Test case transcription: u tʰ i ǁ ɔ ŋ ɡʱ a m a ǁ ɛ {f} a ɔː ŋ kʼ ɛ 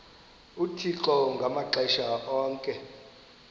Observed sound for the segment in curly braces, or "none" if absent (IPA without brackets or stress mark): ʃ